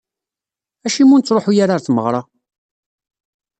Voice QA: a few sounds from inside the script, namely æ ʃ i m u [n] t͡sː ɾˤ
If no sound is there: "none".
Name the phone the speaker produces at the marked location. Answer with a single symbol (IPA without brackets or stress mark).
n